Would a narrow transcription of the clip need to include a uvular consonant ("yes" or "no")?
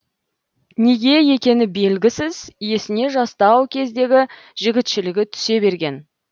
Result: no